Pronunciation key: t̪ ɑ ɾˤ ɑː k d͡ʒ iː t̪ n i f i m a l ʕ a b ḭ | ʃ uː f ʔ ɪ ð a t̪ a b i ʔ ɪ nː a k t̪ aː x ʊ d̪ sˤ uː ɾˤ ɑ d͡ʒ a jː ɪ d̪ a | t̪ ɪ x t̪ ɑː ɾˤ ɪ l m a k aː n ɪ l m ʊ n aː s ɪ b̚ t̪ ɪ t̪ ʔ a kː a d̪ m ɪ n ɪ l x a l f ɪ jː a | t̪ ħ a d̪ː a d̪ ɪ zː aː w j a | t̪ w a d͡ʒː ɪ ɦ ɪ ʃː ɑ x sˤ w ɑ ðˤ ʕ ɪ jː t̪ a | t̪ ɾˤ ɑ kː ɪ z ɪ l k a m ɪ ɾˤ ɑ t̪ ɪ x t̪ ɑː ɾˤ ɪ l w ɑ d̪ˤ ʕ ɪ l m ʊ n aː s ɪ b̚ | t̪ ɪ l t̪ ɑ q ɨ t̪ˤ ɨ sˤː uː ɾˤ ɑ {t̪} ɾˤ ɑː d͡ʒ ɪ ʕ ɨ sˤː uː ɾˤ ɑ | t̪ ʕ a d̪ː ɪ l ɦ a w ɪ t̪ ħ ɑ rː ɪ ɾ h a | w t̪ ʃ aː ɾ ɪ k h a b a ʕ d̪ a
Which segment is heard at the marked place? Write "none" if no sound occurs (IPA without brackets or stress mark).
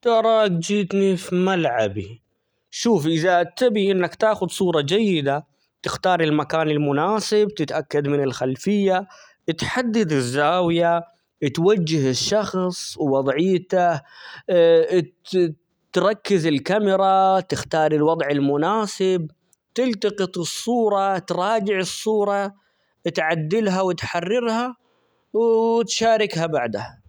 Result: t̪